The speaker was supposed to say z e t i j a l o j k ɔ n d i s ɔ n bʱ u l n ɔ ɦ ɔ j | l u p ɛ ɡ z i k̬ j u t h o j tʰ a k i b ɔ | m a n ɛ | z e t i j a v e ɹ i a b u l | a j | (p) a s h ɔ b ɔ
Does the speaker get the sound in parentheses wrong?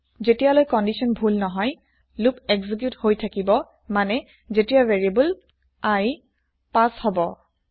no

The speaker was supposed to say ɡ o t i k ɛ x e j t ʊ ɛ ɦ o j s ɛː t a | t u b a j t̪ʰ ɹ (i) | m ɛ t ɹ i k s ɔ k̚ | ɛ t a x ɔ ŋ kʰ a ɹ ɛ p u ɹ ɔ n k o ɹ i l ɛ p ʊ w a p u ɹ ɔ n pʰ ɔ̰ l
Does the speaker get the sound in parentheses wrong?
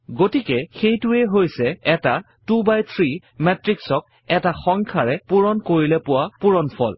no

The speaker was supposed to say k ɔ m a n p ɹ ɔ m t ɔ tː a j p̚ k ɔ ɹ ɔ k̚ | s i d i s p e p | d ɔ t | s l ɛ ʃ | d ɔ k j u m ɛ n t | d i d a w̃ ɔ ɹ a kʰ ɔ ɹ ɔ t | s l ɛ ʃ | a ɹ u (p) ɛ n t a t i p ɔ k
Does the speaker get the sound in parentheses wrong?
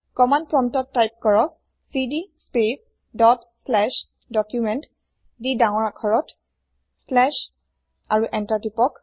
yes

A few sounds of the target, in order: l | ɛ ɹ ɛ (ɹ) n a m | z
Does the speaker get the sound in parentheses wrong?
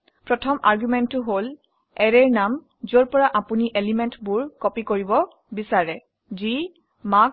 no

